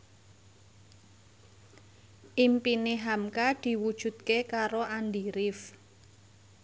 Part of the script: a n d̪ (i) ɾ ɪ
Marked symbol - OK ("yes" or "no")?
yes